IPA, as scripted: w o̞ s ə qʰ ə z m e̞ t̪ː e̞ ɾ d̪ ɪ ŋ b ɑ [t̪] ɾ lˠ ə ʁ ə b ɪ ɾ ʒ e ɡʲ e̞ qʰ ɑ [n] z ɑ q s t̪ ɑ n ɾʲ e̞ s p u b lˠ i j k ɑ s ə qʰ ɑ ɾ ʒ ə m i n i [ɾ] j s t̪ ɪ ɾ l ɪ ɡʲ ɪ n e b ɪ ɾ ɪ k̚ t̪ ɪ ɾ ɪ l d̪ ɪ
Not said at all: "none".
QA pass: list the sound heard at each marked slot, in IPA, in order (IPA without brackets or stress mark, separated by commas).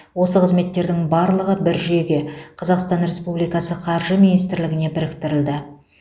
none, none, none